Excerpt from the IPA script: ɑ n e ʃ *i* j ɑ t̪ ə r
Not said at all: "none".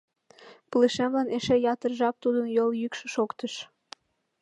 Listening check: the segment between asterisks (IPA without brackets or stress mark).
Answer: e